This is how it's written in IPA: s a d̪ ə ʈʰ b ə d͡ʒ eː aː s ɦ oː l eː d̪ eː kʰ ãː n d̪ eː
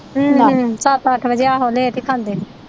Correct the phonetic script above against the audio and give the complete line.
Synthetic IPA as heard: s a t̪ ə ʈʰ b ə d͡ʒ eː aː ɦ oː l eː t̪ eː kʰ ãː n d̪ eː